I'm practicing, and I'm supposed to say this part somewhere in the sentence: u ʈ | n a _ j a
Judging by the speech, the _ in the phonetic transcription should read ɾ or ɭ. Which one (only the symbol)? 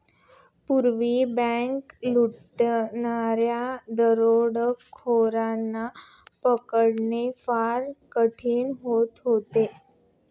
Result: ɾ